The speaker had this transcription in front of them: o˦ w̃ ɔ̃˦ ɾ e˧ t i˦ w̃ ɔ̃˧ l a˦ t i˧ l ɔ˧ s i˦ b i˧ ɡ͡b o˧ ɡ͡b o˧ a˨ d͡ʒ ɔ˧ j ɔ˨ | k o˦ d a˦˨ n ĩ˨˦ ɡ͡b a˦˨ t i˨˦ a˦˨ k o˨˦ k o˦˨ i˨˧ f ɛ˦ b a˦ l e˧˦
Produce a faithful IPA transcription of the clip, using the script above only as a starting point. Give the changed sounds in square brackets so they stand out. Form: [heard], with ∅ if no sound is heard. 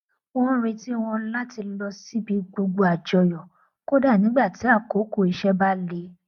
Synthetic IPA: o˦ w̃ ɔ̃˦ ɾ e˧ t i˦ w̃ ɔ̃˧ l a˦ t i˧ l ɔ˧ s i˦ b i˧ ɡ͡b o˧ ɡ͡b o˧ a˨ d͡ʒ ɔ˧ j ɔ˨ | k o˦ d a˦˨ n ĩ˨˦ ɡ͡b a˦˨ t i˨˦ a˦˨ k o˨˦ k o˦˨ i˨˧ [ʃ] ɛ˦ b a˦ l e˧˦